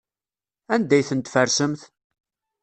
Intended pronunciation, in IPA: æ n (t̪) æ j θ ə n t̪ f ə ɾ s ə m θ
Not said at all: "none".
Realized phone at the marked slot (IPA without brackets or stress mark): d̪